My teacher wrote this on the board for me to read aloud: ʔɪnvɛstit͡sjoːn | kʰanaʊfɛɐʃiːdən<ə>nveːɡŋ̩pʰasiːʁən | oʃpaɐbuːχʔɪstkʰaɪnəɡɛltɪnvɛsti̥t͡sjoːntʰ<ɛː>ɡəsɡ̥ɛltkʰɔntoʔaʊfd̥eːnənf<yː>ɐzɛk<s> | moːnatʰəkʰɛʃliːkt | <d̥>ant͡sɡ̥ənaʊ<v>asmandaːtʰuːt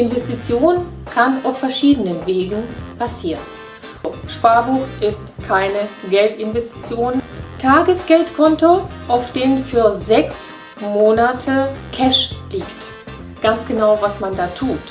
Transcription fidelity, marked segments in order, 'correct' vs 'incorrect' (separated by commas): correct, incorrect, correct, correct, incorrect, correct